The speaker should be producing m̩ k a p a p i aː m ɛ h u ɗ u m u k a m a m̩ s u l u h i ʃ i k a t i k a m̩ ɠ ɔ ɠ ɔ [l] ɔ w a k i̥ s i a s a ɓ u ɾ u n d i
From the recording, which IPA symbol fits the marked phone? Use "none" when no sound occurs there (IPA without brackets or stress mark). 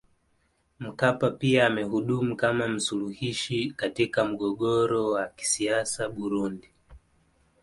ɾ